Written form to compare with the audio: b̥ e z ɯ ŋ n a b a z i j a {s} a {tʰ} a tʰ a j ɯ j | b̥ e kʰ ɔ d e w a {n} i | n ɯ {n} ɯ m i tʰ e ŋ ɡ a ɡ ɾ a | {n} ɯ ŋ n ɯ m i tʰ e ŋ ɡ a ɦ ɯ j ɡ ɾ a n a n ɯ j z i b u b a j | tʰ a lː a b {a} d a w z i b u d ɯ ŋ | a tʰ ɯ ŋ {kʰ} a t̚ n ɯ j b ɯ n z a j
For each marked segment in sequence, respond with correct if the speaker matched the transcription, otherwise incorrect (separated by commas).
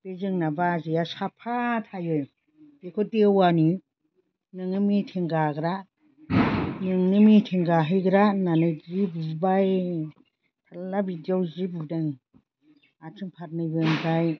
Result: correct, incorrect, correct, incorrect, correct, incorrect, incorrect